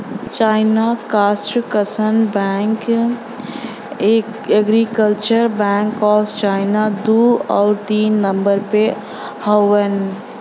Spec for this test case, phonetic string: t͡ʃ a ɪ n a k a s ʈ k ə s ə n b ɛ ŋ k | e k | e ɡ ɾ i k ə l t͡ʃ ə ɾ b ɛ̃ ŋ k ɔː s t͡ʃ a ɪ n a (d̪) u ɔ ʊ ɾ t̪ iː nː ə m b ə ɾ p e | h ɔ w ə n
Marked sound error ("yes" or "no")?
no